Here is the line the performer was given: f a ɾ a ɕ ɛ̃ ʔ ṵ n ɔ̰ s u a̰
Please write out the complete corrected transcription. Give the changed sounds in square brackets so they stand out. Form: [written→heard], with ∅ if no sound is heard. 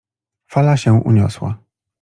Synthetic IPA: f a [ɾ→l] a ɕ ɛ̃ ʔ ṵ [n→ɲ] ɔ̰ s [u→w] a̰

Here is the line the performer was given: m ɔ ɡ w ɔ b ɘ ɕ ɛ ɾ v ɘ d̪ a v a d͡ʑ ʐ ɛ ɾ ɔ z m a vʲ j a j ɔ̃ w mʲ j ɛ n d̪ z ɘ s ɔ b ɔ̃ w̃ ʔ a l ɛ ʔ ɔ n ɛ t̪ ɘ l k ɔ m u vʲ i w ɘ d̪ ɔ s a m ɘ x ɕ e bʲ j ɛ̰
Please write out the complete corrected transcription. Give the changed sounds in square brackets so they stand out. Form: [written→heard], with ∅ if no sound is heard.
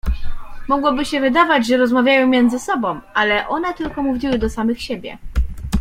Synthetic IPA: m ɔ ɡ w ɔ b ɘ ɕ ɛ [ɾ→∅] v ɘ d̪ a v a d͡ʑ ʐ ɛ ɾ ɔ z m a vʲ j a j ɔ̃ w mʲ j ɛ n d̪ z ɘ s ɔ b ɔ̃ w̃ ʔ a l ɛ ʔ ɔ n ɛ t̪ ɘ l k ɔ m u vʲ i w ɘ d̪ ɔ s a m ɘ x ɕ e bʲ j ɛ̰

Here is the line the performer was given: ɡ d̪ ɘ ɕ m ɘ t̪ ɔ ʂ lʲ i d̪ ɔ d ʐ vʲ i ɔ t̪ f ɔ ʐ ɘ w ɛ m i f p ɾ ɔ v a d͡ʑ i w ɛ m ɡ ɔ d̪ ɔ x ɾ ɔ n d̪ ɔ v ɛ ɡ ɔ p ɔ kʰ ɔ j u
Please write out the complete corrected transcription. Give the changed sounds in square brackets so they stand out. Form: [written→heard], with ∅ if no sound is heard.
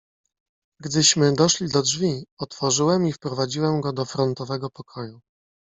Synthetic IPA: ɡ d̪ ɘ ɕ m ɘ [t̪→d̪] ɔ ʂ lʲ i d̪ ɔ d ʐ vʲ i ɔ t̪ f ɔ ʐ ɘ w ɛ m i f p ɾ ɔ v a d͡ʑ i w ɛ m ɡ ɔ d̪ ɔ [x→f] ɾ ɔ n [d̪→t̪] ɔ v ɛ ɡ ɔ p ɔ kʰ ɔ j u

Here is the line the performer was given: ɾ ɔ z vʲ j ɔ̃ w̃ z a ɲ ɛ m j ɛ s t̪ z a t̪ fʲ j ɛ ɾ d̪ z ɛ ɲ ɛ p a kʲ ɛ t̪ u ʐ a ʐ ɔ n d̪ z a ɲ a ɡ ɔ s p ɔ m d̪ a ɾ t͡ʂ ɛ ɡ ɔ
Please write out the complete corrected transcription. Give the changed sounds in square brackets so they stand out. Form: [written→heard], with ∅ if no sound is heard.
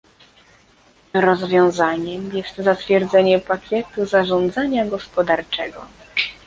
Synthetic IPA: ɾ ɔ z vʲ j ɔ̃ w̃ z a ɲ ɛ m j ɛ s t̪ z a t̪ fʲ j ɛ ɾ d̪ z ɛ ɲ ɛ p a kʲ ɛ t̪ u [ʐ→z] a ʐ ɔ n d̪ z a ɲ a ɡ ɔ s p ɔ [m→∅] d̪ a ɾ t͡ʂ ɛ ɡ ɔ

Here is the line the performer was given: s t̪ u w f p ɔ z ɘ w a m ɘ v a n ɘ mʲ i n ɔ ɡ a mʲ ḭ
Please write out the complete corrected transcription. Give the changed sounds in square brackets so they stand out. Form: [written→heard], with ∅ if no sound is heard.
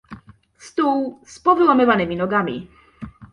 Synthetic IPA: s t̪ u w [f→s] p ɔ [z→v] ɘ w a m ɘ v a n ɘ mʲ i n ɔ ɡ a mʲ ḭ

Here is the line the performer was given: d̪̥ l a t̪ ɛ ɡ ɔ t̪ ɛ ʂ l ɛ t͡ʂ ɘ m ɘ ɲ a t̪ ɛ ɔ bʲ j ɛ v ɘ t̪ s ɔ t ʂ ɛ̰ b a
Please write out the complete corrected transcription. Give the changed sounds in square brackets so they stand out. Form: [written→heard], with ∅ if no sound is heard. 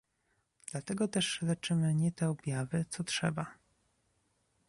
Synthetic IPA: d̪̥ l a t̪ ɛ ɡ ɔ t̪ ɛ ʂ l ɛ t͡ʂ ɘ m ɘ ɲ [a→ɛ] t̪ ɛ ɔ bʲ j [ɛ→a] v ɘ t̪ s ɔ t ʂ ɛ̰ b a

